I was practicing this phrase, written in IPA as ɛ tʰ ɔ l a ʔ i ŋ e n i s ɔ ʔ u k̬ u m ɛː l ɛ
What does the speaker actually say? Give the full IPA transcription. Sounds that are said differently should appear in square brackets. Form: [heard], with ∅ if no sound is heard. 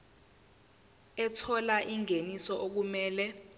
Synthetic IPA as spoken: ɛ tʰ ɔ l a ʔ i ŋ e n i s ɔ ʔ [o] k̬ u m ɛː l ɛ

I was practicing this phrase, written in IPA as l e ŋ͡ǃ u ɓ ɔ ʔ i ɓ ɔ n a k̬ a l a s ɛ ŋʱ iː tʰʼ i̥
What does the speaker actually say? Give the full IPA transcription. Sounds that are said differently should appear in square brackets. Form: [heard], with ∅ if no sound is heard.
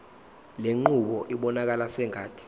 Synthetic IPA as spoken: l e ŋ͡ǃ u ɓ ɔ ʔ i ɓ ɔ n a k̬ a l a s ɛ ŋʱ [aː] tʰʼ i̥

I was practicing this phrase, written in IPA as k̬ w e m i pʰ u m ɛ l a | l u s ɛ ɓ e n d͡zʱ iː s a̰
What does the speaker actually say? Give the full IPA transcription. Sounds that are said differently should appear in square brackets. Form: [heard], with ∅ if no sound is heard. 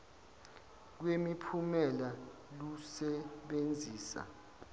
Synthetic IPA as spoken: k̬ w e m i pʰ u m ɛ l a | l u s ɛ ɓ e n d͡zʱ iː s a̰

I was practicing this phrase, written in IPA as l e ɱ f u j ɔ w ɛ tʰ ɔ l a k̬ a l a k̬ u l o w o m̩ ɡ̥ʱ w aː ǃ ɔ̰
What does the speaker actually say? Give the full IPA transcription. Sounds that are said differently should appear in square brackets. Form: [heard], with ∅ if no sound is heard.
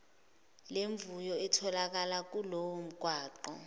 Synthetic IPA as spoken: l e ɱ [v] u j ɔ [∅] ɛ tʰ ɔ l a k̬ a l a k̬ u l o w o m̩ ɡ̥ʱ w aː ǃ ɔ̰

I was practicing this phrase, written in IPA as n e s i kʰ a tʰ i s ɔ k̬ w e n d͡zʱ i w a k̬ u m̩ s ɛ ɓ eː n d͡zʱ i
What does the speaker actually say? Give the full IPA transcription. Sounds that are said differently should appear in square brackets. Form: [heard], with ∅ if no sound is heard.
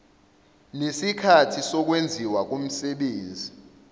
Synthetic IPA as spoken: n e s i kʰ a tʰ i s ɔ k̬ w e n d͡zʱ i w a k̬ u m̩ s ɛ ɓ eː n d͡zʱ i

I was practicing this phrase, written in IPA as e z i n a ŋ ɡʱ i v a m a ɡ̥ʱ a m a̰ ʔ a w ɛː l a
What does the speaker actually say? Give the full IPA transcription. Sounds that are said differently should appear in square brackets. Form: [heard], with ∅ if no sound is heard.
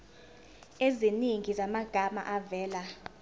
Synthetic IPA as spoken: e z i n [i] ŋ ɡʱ i [z] a m a ɡ̥ʱ a m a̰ ʔ a [v] ɛː l a

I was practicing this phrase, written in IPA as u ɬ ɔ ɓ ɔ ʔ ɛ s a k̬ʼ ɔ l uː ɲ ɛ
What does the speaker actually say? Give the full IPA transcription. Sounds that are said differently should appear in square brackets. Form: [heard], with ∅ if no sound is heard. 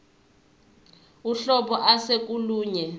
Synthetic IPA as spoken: u ɬ ɔ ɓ ɔ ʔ [a] s [e] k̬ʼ [u] l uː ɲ ɛ

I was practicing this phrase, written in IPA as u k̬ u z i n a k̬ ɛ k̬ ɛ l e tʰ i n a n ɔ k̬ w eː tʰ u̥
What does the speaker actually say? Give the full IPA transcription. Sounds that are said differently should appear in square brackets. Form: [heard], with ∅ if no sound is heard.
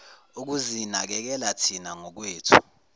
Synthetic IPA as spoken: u k̬ u z i n a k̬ ɛ k̬ ɛ l [a] tʰ i n a [ŋ] ɔ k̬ w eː tʰ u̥

